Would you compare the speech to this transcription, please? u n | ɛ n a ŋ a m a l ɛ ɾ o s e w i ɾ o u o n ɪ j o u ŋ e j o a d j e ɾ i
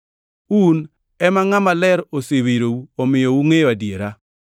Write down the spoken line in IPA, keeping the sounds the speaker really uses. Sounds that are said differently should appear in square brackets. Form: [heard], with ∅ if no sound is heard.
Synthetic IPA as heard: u n | ɛ [m] a ŋ a m a l ɛ ɾ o s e w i ɾ o u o [m] ɪ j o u ŋ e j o a d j e ɾ [a]